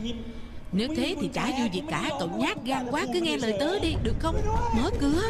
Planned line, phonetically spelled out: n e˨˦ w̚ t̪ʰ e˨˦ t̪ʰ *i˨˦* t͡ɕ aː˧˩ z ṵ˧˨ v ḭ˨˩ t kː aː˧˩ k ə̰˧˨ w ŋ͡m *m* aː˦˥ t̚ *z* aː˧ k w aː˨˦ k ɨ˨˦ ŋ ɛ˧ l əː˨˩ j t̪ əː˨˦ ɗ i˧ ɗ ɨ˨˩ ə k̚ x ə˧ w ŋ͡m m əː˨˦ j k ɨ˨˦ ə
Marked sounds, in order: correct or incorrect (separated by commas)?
incorrect, incorrect, incorrect